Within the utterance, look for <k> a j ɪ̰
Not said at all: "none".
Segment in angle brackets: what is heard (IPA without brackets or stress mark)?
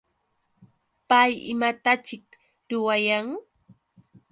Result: p